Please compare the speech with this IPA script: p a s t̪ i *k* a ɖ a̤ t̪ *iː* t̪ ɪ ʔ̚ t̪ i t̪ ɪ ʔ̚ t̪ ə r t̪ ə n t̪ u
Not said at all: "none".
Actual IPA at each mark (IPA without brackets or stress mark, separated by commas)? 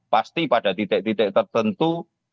p, i